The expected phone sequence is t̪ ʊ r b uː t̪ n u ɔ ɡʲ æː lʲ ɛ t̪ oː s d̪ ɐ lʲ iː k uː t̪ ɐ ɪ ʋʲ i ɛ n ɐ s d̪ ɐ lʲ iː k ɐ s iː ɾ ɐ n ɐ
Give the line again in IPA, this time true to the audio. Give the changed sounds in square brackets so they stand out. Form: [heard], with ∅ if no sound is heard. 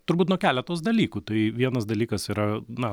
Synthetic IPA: t̪ ʊ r b uː t̪ n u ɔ [kʲ] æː lʲ ɛ t̪ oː s d̪ ɐ lʲ iː k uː t̪ ɐ ɪ ʋʲ i ɛ n ɐ s d̪ ɐ lʲ iː k ɐ s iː ɾ ɐ n ɐ